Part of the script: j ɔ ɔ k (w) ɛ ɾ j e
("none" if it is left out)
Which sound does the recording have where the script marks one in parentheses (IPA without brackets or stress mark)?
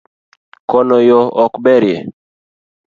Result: b